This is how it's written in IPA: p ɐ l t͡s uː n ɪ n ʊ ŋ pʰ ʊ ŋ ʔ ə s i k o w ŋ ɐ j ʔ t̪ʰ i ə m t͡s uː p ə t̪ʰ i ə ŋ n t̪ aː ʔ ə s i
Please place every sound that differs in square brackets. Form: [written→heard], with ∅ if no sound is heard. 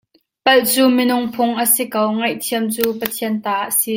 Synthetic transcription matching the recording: p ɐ l t͡s uː [n→m] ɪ n ʊ ŋ pʰ ʊ ŋ ʔ ə s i k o w ŋ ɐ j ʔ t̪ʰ i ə m t͡s uː p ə t̪ʰ i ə [ŋ→∅] n t̪ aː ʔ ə s i

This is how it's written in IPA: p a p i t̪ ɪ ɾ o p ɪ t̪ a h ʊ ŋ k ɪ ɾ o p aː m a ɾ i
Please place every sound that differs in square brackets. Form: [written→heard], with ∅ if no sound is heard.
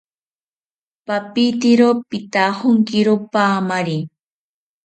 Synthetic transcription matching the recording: p a p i t̪ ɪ ɾ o p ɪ t̪ a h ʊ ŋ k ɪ ɾ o p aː m a ɾ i

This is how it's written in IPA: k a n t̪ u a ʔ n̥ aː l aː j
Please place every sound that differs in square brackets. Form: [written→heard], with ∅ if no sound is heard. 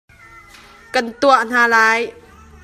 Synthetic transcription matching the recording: k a n t̪ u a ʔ n̥ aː l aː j

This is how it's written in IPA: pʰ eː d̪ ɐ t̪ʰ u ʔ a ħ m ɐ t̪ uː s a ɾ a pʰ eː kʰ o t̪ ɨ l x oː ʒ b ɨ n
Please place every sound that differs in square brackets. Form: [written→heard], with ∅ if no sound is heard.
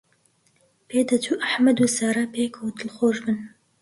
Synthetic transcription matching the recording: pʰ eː d̪ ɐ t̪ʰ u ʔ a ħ m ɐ [t̪→d̪] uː s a ɾ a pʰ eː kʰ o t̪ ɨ l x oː ʒ b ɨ n

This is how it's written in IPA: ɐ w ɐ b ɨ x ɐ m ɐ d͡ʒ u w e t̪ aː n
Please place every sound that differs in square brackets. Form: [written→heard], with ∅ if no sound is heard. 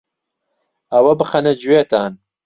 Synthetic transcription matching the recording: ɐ w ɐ b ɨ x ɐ [m→n] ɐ d͡ʒ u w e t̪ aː n

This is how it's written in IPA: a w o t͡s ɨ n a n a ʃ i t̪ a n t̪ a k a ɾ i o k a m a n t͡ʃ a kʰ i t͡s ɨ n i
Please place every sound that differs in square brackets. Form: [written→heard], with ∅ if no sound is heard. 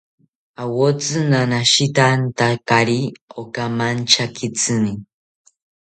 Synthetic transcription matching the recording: a w o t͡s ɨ n a n a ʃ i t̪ a n t̪ a k a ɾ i o k a m a n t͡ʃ a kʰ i t͡s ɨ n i

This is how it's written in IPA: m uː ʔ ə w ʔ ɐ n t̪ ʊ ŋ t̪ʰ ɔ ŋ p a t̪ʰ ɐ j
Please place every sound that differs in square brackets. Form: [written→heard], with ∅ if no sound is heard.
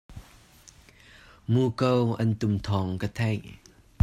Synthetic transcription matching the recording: m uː [ʔ→k] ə w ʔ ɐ n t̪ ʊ [ŋ→m] t̪ʰ ɔ ŋ [p→k] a t̪ʰ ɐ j

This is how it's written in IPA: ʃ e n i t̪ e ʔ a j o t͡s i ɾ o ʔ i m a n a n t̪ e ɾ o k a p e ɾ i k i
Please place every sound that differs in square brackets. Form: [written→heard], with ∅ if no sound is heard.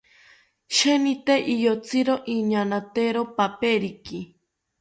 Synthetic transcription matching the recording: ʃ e n i t̪ e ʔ [a→i] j o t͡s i ɾ o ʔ i [m→ɲ] a n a [n→∅] t̪ e ɾ o [k→p] a p e ɾ i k i

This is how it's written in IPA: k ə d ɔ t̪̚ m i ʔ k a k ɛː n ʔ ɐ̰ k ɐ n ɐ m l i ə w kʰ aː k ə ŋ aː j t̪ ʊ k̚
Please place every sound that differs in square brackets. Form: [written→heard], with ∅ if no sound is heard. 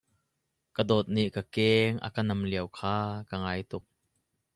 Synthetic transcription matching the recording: k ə d ɔ t̪̚ [m→n] i ʔ k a k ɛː [n→ŋ] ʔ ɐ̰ k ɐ n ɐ m l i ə w kʰ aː k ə ŋ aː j t̪ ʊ k̚

